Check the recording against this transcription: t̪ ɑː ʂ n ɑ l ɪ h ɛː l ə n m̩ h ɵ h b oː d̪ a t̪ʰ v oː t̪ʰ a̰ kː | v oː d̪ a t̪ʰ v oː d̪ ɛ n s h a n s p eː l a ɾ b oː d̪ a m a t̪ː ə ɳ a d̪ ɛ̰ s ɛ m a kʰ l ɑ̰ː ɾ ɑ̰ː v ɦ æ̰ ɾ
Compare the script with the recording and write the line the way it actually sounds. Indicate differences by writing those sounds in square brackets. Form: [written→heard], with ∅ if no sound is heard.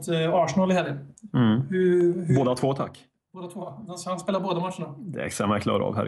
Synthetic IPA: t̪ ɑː ʂ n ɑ l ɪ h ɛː l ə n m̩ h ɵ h b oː d̪ a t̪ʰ v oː t̪ʰ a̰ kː | [v→b] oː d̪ a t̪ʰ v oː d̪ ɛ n s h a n s p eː l a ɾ b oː d̪ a m a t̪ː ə ɳ a d̪ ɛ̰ s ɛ m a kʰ l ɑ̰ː ɾ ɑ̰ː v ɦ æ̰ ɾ